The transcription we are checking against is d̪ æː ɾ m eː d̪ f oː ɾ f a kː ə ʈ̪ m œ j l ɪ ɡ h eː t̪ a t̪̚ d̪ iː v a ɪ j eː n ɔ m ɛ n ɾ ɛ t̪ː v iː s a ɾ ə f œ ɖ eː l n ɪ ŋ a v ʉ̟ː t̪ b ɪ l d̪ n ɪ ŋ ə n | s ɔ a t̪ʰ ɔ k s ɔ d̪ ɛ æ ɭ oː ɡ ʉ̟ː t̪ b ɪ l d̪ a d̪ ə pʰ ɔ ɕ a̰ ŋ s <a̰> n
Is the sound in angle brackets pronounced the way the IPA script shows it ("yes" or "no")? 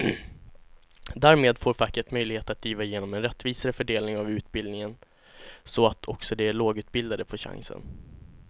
no